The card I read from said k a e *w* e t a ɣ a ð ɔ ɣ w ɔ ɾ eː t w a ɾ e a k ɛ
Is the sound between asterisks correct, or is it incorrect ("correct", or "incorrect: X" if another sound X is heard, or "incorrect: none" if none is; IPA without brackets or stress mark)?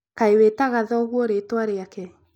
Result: correct